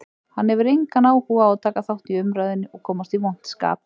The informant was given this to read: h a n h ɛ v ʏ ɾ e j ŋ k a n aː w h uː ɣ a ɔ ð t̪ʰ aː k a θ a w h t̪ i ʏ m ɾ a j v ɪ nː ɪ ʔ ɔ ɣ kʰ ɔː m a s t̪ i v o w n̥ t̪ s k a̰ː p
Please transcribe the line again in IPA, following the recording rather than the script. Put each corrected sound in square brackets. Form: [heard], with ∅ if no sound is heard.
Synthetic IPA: h a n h ɛ v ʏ ɾ e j ŋ k a n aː w h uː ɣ a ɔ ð t̪ʰ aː k a θ a w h t̪ i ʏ m ɾ a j [ð] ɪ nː ɪ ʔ ɔ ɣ kʰ ɔː m a s t̪ i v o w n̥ t̪ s k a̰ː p